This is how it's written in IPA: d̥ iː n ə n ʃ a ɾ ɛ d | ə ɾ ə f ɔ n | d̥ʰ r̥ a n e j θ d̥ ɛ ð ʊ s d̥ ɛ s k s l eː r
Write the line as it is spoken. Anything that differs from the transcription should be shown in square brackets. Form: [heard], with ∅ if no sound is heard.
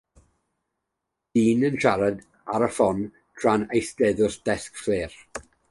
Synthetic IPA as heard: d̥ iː n ə n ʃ a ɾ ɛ d | [a] ɾ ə f ɔ n | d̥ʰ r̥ a n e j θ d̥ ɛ ð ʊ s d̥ ɛ s k [f] l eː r

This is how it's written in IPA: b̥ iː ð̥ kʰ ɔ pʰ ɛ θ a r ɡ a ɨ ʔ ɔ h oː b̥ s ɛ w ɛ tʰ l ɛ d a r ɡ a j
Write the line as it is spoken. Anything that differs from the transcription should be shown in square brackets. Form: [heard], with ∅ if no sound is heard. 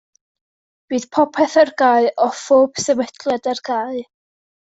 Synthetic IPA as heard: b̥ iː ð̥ [pʰ] ɔ pʰ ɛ θ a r ɡ a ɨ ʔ ɔ [f] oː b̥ s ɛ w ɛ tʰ l ɛ d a r ɡ a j

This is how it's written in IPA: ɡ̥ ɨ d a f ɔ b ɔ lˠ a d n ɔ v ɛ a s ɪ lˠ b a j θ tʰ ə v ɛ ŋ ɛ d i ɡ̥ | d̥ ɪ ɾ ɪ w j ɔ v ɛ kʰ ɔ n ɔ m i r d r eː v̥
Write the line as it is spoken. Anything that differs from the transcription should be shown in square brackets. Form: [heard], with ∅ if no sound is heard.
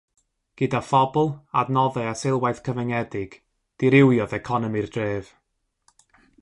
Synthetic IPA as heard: ɡ̥ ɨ d a f ɔ b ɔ lˠ a d n ɔ [ð] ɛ a s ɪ lˠ [w] a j θ [kʰ] ə v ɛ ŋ ɛ d [ɪ] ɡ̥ | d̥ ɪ ɾ ɪ w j ɔ [ð] ɛ kʰ ɔ n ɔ m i r d r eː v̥

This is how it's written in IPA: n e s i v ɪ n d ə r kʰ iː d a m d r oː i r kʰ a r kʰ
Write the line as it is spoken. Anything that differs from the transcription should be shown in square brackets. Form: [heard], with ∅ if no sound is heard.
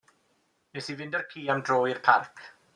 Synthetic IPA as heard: n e s i v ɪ n d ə r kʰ iː [∅] a m d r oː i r [pʰ] a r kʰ

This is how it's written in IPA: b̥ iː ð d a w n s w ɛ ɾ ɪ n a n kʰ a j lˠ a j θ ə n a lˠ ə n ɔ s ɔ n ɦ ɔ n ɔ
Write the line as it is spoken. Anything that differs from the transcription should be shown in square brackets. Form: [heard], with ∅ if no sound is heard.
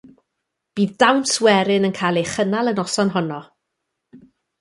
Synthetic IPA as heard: b̥ iː ð d a w n s w ɛ ɾ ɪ n [ə] n kʰ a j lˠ [e] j [χ] ə n a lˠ ə n ɔ s ɔ n ɦ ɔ n ɔ

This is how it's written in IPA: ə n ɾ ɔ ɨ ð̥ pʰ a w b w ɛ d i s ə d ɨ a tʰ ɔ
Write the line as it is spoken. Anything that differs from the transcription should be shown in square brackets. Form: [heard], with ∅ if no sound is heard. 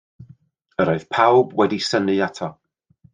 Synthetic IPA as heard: ə [∅] ɾ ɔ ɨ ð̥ pʰ a w b w ɛ d i s ə [n] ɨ a tʰ ɔ

